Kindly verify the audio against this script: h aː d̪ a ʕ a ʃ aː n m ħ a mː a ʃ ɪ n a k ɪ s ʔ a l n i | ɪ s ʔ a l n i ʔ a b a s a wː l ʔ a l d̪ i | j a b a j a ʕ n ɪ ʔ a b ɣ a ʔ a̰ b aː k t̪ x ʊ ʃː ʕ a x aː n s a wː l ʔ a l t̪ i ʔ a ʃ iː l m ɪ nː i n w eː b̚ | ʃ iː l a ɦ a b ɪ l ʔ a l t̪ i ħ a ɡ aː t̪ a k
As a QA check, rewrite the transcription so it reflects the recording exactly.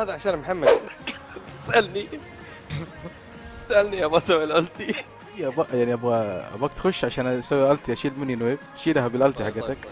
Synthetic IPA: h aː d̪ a ʕ a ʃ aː n m ħ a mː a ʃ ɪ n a k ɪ s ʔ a l n i | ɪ s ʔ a l n i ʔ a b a s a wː l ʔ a l t̪ i | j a b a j a ʕ n i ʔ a b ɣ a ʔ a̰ b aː k t̪ x ʊ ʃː ʕ a ʃ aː n s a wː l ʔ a l t̪ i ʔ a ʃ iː l m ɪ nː i n w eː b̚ | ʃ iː l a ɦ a b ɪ l ʔ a l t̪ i ħ a ɡ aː t̪ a k